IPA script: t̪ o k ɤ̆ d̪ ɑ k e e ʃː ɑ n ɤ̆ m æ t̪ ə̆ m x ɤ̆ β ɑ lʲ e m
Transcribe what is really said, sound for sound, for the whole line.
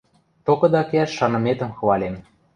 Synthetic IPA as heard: t̪ o k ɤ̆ d̪ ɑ k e æ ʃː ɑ n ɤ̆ m e t̪ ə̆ m x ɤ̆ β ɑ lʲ e m

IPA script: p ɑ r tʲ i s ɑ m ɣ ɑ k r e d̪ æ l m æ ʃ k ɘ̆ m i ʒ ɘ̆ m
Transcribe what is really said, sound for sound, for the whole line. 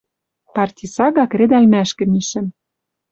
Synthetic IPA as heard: p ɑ r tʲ i s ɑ ɣ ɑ k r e d̪ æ l m æ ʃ k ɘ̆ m i ʃ ɘ̆ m

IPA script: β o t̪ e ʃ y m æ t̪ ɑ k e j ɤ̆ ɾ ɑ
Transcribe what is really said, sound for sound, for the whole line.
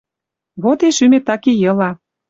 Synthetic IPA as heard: β o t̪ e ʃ y m e t̪ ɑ k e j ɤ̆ l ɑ

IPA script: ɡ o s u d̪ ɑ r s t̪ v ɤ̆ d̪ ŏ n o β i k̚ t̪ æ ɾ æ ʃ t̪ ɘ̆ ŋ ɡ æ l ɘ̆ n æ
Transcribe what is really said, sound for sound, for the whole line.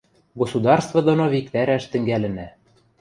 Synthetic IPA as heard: ɡ o s u d̪ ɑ r s t̪ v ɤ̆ d̪ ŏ n o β i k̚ t̪ æ ɾ æ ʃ t̪ ɘ̆ ŋ ɡ æ l ɘ̆ n æ

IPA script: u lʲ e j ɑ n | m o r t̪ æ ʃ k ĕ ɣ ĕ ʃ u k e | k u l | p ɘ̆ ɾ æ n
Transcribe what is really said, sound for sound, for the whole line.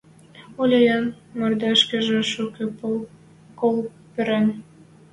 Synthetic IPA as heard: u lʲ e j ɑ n | m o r d̪ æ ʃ k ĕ ʒ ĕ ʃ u k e | k o l | p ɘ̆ ɾ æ n

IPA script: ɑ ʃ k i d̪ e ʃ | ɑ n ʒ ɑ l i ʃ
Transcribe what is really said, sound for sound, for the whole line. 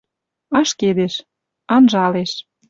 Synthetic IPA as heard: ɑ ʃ k e d̪ e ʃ | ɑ n ʒ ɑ l e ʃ

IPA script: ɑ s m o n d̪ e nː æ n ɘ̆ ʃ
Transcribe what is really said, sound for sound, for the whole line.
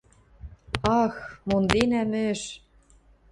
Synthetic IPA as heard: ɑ x m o n d̪ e n æ m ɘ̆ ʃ

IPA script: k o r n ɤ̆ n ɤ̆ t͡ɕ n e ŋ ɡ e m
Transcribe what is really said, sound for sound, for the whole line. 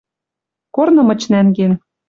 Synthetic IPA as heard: k o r n ɤ̆ m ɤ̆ t͡ɕ n æ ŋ ɡ e n

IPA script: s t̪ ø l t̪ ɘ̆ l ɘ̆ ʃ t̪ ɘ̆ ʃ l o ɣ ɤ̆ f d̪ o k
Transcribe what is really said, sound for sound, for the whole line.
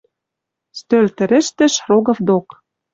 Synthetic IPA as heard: s t̪ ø l t̪ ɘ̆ ɾ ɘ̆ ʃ t̪ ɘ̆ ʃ r o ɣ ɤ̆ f d̪ o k

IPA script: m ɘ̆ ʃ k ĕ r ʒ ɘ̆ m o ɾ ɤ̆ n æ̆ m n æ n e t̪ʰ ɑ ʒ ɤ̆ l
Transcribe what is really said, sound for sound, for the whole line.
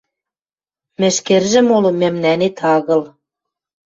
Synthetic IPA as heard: m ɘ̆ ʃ k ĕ r ʒ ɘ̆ m o l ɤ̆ m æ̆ m n æ n e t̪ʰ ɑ ɣ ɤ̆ l

